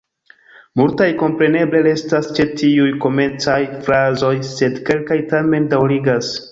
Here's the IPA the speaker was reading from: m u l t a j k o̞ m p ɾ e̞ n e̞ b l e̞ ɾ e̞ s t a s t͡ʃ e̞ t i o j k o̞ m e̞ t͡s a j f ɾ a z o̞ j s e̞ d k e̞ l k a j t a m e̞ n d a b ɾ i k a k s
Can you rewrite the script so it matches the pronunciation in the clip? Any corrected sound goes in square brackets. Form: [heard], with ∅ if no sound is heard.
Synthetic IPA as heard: m u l t a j k o̞ m p ɾ e̞ n e̞ b l e̞ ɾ e̞ s t a s t͡ʃ e̞ t i [u] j k o̞ m e̞ t͡s a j f ɾ a z o̞ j s e̞ d k e̞ l k a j t a m e̞ n d a [w] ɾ i [ɡ] a [∅] s